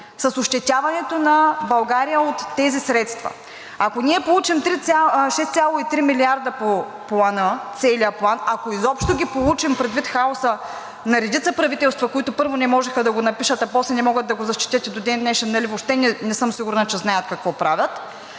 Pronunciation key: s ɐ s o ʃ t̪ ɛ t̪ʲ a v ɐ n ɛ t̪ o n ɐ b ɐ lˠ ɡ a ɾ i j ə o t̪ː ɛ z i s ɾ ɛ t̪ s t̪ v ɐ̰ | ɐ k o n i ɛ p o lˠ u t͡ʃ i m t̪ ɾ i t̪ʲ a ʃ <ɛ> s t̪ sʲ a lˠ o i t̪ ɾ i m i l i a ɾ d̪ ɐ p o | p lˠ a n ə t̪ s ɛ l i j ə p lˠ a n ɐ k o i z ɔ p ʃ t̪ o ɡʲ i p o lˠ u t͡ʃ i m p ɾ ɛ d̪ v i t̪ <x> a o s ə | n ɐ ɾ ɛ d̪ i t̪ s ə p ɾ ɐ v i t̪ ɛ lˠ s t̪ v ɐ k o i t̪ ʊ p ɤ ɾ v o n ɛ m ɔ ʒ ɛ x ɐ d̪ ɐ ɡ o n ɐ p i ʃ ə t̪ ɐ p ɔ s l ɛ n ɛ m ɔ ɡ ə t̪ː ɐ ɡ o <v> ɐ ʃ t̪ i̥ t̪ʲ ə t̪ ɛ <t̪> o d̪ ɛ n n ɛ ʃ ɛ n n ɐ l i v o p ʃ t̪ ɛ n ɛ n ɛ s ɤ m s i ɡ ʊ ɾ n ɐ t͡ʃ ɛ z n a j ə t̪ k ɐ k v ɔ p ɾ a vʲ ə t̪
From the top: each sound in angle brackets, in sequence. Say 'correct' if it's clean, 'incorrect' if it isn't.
correct, correct, incorrect: z, incorrect: d̪

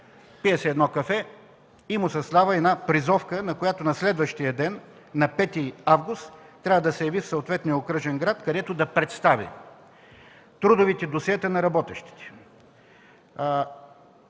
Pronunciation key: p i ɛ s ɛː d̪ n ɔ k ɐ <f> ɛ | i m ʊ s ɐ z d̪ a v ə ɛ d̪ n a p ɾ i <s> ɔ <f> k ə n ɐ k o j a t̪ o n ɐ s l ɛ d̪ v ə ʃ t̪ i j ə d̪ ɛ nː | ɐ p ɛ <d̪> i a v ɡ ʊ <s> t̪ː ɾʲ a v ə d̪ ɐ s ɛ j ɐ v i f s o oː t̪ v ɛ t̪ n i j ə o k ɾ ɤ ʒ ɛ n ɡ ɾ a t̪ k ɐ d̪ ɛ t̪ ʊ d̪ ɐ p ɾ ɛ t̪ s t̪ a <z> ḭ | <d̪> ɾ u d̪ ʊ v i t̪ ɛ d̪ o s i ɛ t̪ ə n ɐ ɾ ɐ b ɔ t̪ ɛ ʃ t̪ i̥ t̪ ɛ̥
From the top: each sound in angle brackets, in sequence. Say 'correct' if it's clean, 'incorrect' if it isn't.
correct, incorrect: z, correct, incorrect: t̪, correct, incorrect: v, incorrect: t̪

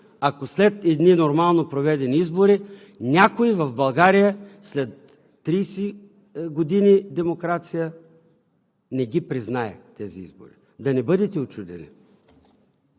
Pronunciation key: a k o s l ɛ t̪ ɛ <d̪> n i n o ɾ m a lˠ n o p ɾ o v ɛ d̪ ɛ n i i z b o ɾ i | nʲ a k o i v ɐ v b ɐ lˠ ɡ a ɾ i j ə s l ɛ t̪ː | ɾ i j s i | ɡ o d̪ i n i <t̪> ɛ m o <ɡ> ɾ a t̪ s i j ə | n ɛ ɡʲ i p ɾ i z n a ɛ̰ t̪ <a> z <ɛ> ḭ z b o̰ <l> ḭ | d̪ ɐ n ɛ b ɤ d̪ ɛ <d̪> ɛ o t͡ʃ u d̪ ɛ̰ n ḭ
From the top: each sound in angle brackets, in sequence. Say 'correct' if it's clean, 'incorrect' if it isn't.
correct, incorrect: d̪, incorrect: k, incorrect: ɛ, incorrect: i, incorrect: ɾ, incorrect: t̪

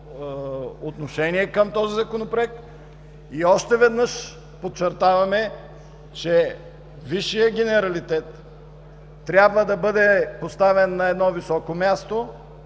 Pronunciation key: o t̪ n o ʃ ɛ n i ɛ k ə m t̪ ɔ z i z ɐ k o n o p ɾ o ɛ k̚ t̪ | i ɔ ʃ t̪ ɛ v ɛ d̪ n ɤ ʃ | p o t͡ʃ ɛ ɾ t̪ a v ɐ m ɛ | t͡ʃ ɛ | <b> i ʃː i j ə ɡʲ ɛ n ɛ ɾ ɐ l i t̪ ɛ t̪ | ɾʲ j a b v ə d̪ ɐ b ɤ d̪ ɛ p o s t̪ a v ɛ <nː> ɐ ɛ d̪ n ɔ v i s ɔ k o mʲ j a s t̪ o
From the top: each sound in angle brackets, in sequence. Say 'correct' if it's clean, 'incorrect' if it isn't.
incorrect: v, correct

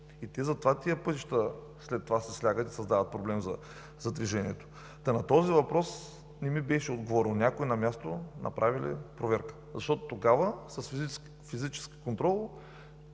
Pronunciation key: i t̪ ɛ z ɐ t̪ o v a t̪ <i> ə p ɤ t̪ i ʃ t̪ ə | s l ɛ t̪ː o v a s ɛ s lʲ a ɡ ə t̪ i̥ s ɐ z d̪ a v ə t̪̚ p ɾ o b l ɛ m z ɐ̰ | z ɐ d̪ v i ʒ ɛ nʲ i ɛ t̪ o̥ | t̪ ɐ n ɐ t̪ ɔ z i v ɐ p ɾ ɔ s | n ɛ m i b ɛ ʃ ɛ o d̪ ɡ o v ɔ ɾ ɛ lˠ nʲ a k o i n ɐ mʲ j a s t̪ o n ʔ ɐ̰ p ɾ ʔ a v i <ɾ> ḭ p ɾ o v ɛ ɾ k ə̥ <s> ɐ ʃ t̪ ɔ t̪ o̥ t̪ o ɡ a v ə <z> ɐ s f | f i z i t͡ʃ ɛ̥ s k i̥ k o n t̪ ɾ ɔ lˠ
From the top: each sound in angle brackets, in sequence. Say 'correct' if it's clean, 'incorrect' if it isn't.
correct, incorrect: l, incorrect: z, incorrect: s

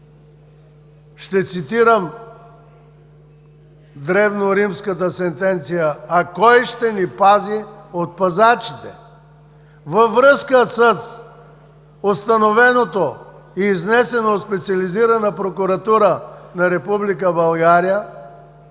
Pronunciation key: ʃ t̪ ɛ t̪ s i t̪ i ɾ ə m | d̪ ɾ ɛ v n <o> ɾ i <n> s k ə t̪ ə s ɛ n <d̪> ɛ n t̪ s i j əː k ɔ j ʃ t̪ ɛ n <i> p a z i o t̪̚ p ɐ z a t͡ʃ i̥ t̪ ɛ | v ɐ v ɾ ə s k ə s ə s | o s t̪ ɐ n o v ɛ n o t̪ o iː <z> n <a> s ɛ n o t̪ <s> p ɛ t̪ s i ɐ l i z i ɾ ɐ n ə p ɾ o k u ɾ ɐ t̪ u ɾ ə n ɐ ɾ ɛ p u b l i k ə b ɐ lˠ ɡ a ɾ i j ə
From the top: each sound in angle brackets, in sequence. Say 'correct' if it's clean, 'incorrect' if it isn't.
correct, incorrect: m, incorrect: t̪, correct, correct, incorrect: ɛ, correct

